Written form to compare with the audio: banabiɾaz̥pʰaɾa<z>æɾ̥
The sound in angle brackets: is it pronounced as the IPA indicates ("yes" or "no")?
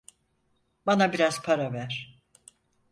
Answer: no